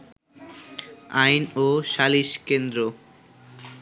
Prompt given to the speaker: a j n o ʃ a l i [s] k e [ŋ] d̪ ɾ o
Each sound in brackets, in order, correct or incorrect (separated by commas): incorrect, incorrect